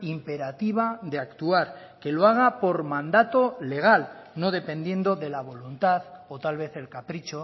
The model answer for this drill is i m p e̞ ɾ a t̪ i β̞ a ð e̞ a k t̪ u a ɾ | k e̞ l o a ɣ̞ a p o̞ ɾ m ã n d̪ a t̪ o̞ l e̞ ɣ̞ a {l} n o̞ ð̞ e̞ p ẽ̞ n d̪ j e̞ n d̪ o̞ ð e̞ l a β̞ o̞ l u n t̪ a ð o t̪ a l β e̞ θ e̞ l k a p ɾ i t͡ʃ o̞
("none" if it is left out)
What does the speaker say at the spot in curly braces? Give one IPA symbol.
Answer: l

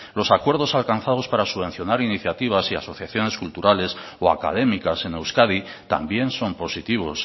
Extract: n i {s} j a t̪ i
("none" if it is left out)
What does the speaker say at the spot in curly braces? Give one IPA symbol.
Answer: θ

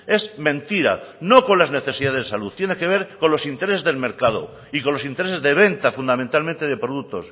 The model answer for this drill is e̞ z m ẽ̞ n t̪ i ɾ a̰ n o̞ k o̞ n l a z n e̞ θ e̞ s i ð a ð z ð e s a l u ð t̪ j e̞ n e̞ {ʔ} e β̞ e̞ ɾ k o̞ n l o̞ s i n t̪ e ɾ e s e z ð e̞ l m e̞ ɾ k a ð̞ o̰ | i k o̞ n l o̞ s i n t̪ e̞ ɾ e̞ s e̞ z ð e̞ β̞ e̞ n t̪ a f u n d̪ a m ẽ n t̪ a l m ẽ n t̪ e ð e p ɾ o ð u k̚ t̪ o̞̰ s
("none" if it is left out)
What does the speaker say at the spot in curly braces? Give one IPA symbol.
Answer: k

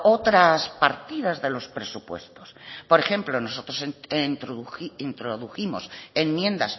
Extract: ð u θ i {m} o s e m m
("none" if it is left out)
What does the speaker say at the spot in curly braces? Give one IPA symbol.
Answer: m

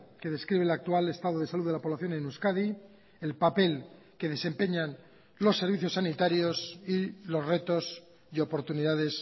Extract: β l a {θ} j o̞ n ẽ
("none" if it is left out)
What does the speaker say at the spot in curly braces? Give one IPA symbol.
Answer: θ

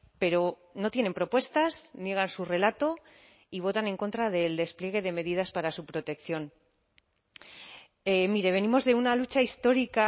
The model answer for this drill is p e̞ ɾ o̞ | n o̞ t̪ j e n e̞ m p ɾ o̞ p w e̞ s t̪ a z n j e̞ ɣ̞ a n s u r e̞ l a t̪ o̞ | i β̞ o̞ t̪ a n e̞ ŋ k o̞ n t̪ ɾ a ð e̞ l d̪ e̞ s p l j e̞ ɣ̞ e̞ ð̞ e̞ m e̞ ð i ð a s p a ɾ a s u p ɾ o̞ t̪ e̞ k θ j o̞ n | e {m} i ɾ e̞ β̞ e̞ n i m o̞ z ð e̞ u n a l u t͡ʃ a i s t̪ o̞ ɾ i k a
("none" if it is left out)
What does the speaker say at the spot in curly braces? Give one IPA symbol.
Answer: m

